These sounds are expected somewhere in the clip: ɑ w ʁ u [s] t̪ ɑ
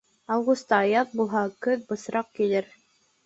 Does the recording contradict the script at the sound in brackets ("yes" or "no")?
no